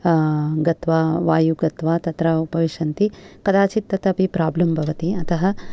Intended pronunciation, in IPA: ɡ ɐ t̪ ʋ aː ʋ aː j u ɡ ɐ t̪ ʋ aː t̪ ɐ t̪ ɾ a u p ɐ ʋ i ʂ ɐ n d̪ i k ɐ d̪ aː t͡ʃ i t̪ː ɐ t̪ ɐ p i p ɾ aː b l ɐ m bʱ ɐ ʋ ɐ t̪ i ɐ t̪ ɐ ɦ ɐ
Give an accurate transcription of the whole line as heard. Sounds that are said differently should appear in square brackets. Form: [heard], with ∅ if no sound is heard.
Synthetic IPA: ɡ ɐ t̪ ʋ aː ʋ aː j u ɡ ɐ t̪ ʋ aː t̪ ɐ t̪ ɾ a u p ɐ ʋ i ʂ ɐ n [t̪] i k ɐ d̪ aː t͡ʃ i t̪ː ɐ t̪ ɐ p i p ɾ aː b l ɐ m bʱ ɐ ʋ ɐ t̪ i ɐ t̪ ɐ ɦ ɐ